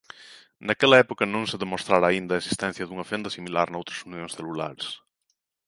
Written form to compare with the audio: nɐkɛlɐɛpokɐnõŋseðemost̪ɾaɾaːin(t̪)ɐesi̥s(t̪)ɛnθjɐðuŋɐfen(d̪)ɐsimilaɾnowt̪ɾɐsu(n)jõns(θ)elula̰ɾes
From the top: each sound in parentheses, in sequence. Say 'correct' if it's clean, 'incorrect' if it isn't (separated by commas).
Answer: incorrect, correct, correct, correct, correct